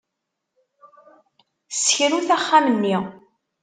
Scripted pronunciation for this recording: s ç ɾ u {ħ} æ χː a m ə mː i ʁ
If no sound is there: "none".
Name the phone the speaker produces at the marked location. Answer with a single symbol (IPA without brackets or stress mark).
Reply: θ